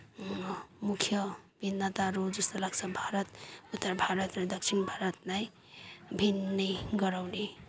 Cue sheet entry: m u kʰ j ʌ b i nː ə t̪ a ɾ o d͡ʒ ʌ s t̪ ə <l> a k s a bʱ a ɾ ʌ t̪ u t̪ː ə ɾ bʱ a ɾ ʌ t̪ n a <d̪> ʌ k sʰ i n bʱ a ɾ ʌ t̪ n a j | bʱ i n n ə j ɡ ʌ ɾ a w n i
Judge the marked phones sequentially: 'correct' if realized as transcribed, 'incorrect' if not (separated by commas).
correct, correct